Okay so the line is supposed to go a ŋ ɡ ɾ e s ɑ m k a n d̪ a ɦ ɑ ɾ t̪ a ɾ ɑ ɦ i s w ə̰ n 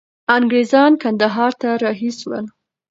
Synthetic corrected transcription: a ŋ ɡ ɾ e z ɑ n k a n d̪ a ɦ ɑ ɾ t̪ a ɾ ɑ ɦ i s w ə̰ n